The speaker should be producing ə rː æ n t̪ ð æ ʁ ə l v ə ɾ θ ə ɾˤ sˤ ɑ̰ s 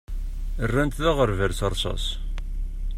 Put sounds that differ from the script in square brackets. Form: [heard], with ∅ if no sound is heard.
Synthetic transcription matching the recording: ə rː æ n t̪ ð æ ʁ ə [ɾ] v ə ɾ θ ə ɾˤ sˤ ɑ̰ s